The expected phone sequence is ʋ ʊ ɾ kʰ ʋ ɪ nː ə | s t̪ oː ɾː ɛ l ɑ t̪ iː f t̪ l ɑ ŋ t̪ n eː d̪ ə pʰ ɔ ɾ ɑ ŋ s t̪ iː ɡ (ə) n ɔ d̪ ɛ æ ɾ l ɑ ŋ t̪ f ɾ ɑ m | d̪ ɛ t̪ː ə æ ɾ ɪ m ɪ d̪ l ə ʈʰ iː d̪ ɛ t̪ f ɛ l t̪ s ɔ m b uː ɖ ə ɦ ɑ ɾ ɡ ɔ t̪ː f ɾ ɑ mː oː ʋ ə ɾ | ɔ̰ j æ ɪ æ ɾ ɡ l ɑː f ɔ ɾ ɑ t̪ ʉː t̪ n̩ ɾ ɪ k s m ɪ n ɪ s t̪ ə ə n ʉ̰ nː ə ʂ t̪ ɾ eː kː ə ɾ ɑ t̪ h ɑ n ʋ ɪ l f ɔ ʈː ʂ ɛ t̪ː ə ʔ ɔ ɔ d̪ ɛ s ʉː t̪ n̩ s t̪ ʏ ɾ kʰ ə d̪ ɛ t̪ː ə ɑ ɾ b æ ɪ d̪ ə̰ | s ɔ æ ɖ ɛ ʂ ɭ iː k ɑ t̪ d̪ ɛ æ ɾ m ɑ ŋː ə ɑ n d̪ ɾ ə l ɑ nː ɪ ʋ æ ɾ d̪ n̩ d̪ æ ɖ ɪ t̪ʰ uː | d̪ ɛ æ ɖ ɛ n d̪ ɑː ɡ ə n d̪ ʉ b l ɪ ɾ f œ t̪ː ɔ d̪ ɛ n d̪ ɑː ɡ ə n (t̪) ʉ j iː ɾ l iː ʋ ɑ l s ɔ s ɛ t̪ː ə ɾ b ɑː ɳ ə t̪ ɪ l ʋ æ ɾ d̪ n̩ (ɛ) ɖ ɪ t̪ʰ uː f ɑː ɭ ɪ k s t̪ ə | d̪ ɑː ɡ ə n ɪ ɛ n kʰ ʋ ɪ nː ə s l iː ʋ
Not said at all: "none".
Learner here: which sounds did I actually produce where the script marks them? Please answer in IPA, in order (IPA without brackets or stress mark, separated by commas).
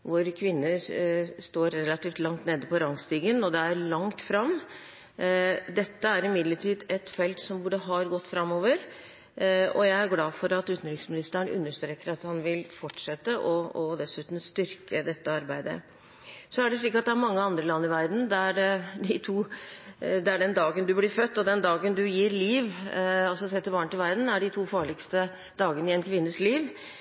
ə, d̪, æ